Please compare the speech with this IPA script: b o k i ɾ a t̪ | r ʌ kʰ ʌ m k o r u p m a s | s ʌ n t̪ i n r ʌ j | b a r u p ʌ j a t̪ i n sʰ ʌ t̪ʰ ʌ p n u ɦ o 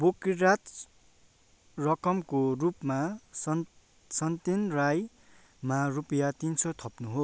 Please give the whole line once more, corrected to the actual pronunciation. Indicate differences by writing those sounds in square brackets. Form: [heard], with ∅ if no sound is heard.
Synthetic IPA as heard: b o k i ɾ a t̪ | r ʌ [k] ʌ m k o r u p m a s | s ʌ n t̪ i n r [a] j | [m] a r u p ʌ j a t̪ i n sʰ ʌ t̪ʰ ʌ p n u ɦ o